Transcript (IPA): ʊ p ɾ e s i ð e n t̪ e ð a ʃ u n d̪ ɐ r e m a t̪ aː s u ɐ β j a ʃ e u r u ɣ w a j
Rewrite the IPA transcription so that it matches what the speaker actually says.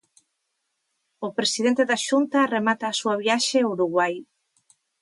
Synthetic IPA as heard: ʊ p ɾ e s i ð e n t̪ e ð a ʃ u n t̪ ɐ r e m a t̪ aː s u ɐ β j a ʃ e u ɾ u ɣ w a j

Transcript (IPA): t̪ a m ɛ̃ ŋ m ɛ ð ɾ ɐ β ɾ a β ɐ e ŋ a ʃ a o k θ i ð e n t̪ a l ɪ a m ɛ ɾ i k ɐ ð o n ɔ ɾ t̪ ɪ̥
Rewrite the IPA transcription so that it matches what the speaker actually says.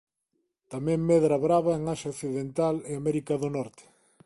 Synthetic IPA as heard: t̪ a m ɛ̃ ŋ m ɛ ð ɾ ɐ β ɾ a β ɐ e ŋ a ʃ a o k θ i ð e n t̪ a l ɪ a m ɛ ɾ i k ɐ ð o n ɔ ɾ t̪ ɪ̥

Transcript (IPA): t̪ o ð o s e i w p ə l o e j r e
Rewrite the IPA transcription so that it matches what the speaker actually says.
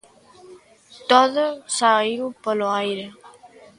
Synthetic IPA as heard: t̪ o ð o s a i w p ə l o a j ɾ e

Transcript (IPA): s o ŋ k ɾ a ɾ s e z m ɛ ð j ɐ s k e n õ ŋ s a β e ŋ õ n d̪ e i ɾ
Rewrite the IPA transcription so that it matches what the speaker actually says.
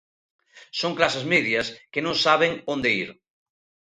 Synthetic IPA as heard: s o ŋ k l a s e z m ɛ ð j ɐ s k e n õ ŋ s a β e ŋ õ n d̪ e i ɾ

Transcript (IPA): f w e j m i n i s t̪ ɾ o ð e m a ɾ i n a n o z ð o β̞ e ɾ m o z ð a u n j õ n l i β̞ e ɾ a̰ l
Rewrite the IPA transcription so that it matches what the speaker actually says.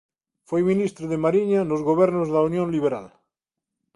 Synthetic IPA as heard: f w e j m i n i s t̪ ɾ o ð e m a ɾ i ɲ a n o z ɣ o β̞ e ɾ n o z ð a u n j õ n l i β̞ e ɾ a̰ l

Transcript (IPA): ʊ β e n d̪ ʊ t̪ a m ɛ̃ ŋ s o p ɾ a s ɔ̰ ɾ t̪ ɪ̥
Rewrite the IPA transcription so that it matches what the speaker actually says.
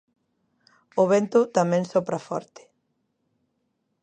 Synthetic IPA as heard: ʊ β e n t̪ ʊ t̪ a m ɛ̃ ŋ s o p ɾ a f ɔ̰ ɾ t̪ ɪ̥

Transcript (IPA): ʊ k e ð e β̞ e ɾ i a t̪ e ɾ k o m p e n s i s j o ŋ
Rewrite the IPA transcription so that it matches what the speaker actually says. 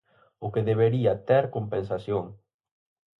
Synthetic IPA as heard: ʊ k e ð e β̞ e ɾ i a t̪ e ɾ k o m p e n s a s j o ŋ

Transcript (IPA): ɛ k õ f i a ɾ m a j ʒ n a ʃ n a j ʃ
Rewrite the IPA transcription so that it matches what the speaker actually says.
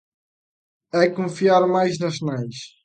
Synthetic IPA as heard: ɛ k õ f i a ɾ m a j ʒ n ɐ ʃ n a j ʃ

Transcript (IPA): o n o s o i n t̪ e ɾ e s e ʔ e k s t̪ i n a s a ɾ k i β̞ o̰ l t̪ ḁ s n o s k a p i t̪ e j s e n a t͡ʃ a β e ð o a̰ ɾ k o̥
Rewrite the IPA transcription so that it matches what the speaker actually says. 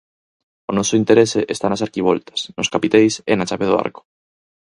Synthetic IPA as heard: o n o s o i n t̪ e ɾ e s e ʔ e s t̪ a n a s a ɾ k i β̞ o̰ l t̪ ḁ s n o s k a p i t̪ e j s e n a t͡ʃ a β e ð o a̰ ɾ k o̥

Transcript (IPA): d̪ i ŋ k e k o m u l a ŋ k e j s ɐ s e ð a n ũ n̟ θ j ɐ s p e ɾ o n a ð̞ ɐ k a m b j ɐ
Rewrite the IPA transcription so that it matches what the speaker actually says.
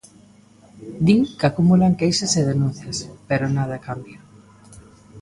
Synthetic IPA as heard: d̪ i ŋ k a k u m u l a ŋ k e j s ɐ s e ð e n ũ n̟ θ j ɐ s p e ɾ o n a ð̞ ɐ k a m b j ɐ

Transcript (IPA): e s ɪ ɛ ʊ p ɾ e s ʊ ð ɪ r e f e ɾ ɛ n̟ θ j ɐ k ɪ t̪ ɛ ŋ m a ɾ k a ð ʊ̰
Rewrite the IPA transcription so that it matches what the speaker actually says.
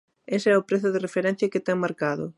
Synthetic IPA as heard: e s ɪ ɛ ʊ p ɾ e θ ʊ ð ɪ r e f e ɾ ɛ n̟ θ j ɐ k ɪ t̪ ɛ ŋ m a ɾ k a ð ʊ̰

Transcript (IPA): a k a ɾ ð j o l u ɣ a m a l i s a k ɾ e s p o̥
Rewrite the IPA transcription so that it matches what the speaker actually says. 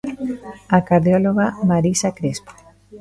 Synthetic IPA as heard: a k a ɾ ð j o l o ɣ a m a ɾ i s a k ɾ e s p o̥

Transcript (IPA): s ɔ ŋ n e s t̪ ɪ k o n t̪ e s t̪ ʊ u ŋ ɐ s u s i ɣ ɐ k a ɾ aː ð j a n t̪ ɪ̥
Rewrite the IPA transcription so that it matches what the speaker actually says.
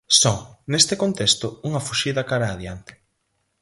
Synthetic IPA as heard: s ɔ ŋ n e s t̪ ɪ k o n t̪ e s t̪ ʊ u ŋ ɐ f u ʃ i ð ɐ k a ɾ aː ð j a n t̪ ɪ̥

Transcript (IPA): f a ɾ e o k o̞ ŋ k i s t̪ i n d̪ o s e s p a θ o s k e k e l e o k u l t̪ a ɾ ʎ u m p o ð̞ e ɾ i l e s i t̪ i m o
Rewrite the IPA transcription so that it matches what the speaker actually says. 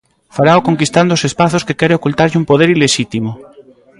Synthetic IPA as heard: f a ɾ a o k o̞ ŋ k i s t̪ a n d̪ o s e s p a θ o s k e k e ɾ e o k u l t̪ a ɾ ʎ u m p o ð̞ e ɾ i l e ʃ i t̪ i m o

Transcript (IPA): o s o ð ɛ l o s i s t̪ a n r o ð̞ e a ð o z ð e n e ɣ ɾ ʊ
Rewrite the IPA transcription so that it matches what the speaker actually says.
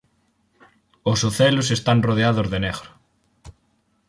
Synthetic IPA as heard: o s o θ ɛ l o s e s t̪ a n r o ð̞ e a ð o z ð e n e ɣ ɾ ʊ

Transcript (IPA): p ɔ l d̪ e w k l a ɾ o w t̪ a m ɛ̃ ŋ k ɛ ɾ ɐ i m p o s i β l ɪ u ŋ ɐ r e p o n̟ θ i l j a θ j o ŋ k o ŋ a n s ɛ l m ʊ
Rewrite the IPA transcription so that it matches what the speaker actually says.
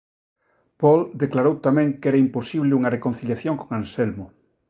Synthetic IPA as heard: p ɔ l d̪ e k l a ɾ o w t̪ a m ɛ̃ ŋ k ɛ ɾ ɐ i m p o s i β l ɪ u ŋ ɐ r e k o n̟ θ i l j a θ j o ŋ k o ŋ a n s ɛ l m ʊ

